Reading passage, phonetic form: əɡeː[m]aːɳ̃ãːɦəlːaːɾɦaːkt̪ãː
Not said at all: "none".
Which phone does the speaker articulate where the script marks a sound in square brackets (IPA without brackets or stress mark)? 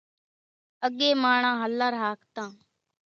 m